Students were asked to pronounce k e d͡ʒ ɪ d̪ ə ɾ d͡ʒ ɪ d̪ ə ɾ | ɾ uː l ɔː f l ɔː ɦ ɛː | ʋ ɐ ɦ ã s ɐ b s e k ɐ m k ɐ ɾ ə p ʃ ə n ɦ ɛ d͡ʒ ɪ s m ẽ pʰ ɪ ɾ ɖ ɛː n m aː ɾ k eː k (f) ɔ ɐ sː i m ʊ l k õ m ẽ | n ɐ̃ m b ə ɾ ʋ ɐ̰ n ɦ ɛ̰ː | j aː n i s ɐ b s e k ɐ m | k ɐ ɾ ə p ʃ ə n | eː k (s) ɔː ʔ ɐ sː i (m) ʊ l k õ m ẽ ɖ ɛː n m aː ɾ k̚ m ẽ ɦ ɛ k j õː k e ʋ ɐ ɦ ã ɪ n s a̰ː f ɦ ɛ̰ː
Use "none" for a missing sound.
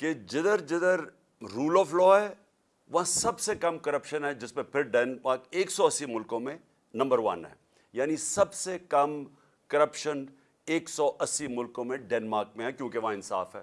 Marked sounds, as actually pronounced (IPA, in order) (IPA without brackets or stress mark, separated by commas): s, s, m